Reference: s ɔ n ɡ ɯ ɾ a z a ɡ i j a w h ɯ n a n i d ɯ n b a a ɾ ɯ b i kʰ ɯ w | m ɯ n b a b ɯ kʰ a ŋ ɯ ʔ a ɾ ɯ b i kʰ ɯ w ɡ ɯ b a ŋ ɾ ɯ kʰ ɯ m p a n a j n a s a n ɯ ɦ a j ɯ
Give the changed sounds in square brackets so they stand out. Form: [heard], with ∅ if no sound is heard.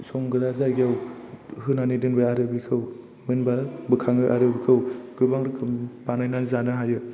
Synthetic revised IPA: s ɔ [ŋ] ɡ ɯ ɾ a z a ɡ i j a w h ɯ n a n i d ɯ n b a a ɾ ɯ b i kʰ ɯ w | m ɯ n b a b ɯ kʰ a ŋ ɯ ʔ a ɾ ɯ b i kʰ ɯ w ɡ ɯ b a ŋ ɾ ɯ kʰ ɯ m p a n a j n a [z] a n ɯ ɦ a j ɯ